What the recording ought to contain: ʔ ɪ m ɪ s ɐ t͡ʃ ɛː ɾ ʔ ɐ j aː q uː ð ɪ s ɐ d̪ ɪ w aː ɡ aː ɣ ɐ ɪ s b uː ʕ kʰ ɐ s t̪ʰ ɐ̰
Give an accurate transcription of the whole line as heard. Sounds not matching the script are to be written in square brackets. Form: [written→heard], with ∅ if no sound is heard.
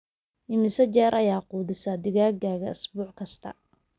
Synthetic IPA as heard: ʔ ɪ m ɪ s ɐ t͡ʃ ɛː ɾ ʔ ɐ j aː q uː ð ɪ s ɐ d̪ ɪ [w→ɣ] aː ɡ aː ɣ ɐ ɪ s b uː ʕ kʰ ɐ s t̪ʰ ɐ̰